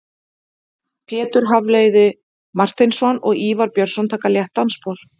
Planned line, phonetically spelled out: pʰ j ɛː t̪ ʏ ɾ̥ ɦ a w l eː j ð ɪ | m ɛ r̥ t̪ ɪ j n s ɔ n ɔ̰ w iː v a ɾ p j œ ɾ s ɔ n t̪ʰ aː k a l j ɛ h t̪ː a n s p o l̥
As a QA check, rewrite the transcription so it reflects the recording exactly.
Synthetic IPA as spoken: pʰ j ɛː t̪ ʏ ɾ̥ ɦ a v l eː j ð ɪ | m a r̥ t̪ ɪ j n s ɔ n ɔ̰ ɣ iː v a ɾ p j œ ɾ s ɔ n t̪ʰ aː k a l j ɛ h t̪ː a n s p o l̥